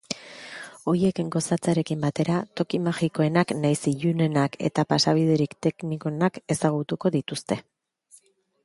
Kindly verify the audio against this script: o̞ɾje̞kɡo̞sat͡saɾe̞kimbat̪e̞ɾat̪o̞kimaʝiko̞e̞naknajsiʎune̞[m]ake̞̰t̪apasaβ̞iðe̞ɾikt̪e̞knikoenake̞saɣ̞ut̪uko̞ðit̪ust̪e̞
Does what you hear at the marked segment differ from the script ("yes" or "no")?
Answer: yes